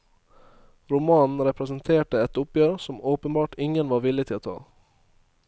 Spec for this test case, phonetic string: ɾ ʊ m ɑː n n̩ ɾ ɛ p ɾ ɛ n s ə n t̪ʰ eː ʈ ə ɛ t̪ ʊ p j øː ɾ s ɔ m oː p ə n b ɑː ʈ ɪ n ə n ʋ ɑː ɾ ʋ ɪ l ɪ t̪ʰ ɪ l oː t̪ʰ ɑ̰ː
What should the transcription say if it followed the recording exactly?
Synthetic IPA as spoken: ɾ ʊ m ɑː n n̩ ɾ ɛ p ɾ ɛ s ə n t̪ʰ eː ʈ ə ɛ t̪ ʊ p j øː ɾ s ɔ m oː p ə n b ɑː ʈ ɪ ŋ ə n ʋ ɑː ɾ ʋ ɪ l ɪ t̪ʰ ɪ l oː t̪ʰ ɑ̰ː